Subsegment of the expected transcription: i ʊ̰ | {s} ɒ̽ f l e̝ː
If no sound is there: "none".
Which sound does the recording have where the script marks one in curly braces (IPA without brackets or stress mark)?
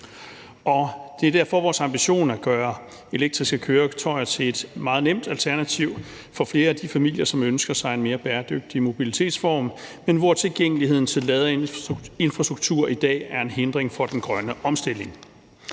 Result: f